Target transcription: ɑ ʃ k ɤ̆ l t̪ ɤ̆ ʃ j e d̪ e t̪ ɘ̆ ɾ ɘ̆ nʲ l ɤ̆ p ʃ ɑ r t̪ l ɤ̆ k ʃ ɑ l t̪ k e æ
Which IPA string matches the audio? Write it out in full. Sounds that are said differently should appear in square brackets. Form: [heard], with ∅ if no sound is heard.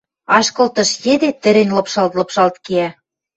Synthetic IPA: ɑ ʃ k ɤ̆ l t̪ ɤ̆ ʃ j e d̪ e t̪ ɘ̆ ɾ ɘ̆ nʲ l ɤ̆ p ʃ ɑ [l] t̪ l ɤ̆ [p] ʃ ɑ l t̪ k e æ